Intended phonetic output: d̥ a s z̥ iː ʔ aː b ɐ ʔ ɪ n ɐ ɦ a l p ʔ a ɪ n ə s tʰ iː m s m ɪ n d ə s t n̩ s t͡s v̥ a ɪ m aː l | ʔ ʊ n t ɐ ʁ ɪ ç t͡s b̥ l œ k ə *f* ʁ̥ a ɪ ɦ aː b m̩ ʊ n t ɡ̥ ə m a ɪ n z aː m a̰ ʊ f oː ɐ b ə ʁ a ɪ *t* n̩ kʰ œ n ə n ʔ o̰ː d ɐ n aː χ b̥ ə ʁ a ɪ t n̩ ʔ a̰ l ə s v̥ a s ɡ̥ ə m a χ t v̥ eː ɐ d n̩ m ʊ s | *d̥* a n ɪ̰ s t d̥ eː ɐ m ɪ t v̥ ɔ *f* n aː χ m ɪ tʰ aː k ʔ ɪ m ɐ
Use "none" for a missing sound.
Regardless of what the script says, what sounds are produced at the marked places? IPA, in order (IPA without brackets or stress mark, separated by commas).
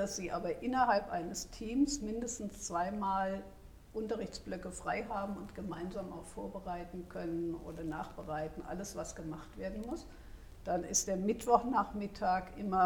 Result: f, t, d̥, χ